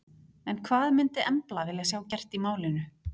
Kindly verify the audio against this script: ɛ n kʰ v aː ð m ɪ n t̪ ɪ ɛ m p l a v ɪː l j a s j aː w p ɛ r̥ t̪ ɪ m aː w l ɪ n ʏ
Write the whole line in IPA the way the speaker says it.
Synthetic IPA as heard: ɛ n kʰ v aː ð m ɪ n t̪ ɪ ɛ m p l a v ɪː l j a s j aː w c ɛ r̥ t̪ i m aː w l ɪ n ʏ